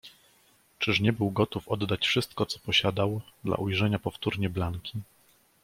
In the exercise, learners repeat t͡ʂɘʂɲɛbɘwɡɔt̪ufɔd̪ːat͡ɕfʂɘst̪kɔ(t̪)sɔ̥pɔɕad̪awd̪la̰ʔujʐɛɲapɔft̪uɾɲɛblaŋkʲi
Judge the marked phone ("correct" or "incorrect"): correct